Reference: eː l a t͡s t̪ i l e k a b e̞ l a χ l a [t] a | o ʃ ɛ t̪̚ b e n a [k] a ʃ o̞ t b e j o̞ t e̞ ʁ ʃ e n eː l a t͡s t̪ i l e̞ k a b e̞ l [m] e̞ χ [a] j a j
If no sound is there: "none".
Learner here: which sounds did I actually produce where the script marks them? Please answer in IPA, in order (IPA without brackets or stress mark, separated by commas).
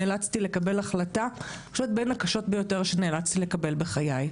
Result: t, k, b, a